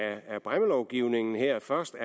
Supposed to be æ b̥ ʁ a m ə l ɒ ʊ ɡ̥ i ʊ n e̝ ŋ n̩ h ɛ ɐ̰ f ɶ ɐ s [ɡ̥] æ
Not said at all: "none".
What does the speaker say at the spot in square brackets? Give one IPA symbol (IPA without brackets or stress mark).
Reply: d̥